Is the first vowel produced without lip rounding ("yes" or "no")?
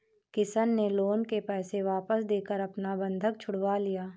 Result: yes